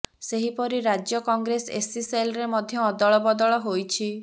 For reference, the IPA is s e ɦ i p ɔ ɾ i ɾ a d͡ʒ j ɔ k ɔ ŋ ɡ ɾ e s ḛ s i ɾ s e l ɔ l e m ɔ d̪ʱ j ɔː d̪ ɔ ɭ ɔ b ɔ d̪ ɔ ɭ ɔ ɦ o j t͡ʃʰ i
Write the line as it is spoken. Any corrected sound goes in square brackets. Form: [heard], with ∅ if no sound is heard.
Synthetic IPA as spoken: s e ɦ i p ɔ ɾ i ɾ a d͡ʒ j ɔ k ɔ ŋ ɡ ɾ e s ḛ s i [∅] s e l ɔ [ɾ] e m ɔ d̪ʱ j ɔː d̪ ɔ ɭ ɔ b ɔ d̪ ɔ ɭ ɔ ɦ o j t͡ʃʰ i